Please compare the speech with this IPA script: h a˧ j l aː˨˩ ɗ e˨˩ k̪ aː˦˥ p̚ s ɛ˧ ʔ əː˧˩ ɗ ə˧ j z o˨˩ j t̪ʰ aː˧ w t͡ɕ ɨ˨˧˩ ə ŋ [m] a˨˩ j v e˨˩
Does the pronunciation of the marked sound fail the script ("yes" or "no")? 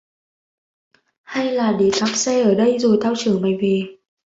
no